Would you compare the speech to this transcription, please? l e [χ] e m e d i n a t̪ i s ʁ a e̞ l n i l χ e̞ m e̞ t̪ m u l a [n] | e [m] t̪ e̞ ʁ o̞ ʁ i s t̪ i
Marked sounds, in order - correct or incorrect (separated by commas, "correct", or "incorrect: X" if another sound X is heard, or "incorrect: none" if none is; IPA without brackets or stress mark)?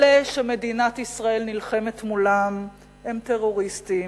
incorrect: ʃ, incorrect: m, correct